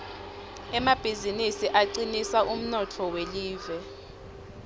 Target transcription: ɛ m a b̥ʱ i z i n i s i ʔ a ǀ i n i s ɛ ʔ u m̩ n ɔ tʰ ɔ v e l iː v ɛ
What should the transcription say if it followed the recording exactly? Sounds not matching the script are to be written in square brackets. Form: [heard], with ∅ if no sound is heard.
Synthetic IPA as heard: ɛ m a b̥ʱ i z i n i s i ʔ a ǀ i n i s [a] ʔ u m̩ n ɔ tʰ ɔ [w] e l iː v ɛ